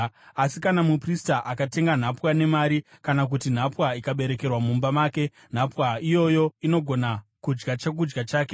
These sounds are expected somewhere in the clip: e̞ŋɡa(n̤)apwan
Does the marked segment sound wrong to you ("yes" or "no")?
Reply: no